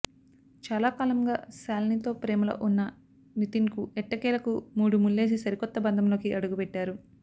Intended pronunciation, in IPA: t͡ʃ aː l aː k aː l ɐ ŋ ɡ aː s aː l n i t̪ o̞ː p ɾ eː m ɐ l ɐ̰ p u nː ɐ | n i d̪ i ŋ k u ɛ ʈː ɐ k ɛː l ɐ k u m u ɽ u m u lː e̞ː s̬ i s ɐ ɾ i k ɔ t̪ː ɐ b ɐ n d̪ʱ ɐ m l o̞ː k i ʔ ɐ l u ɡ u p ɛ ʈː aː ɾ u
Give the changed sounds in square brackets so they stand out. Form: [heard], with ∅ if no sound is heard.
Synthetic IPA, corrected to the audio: t͡ʃ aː l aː k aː l ɐ ŋ ɡ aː s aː l n i t̪ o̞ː p ɾ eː m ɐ l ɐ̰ [ʔ] u nː ɐ | n i [t̪] i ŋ k u ɛ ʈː ɐ k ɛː l ɐ k u m [uː] ɽ u m u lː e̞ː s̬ i s ɐ ɾ i k ɔ t̪ː ɐ b ɐ n d̪ʱ ɐ m l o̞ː k i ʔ ɐ [ɽ] u ɡ u p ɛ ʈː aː ɾ u